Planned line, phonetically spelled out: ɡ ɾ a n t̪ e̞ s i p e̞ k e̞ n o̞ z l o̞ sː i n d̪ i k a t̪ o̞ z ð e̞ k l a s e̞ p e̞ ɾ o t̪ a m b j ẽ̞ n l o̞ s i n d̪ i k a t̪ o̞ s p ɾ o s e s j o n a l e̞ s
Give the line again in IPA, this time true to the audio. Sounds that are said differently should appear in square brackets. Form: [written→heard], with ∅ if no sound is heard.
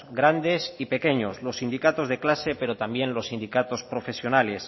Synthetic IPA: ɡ ɾ a n [t̪→d̪] e̞ s i p e̞ k e̞ [n→ɲ] o̞ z l o̞ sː i n d̪ i k a t̪ o̞ z ð e̞ k l a s e̞ p e̞ ɾ o t̪ a m b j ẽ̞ n l o̞ s i n d̪ i k a t̪ o̞ s p ɾ o [s→f] e s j o n a l e̞ s